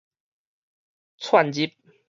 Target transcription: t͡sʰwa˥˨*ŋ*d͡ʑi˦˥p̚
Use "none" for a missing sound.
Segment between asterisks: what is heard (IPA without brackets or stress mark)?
n